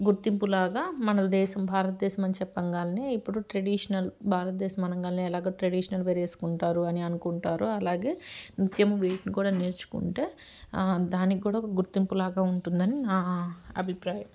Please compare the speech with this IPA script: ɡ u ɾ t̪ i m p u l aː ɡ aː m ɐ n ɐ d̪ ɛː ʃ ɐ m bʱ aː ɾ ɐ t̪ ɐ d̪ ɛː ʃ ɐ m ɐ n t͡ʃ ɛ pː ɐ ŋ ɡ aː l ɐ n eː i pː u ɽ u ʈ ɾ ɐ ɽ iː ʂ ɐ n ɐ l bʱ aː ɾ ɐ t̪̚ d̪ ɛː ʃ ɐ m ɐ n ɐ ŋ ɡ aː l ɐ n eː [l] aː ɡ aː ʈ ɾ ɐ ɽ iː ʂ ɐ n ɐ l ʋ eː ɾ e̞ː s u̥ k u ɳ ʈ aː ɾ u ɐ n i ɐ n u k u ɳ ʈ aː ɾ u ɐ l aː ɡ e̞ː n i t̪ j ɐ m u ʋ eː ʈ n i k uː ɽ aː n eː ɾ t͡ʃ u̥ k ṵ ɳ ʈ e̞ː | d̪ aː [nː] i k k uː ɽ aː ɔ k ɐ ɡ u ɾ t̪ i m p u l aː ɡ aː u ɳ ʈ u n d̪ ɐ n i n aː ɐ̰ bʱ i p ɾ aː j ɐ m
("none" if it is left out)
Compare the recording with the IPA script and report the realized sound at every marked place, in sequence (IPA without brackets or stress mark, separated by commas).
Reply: l, n